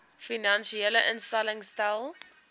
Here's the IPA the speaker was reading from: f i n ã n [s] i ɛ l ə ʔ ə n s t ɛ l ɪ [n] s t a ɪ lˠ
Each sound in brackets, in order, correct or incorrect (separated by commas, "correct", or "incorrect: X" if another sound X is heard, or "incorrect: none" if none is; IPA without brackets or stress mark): incorrect: ʃ, incorrect: ŋ